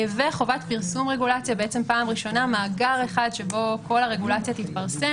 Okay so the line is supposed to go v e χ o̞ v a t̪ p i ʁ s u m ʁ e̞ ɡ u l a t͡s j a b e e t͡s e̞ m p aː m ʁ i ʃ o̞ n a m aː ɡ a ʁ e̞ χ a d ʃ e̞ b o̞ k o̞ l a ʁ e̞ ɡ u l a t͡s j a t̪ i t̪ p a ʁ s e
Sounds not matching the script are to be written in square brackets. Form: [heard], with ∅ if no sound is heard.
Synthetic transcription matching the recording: v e χ o̞ v a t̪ p i ʁ s u m ʁ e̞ ɡ u l a t͡s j a b e e t͡s e̞ m p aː m ʁ i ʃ o̞ n a m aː ɡ a ʁ e̞ χ a d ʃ e̞ b o̞ k o̞ l a ʁ e̞ ɡ u l a t͡s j a t̪ i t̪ p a ʁ s e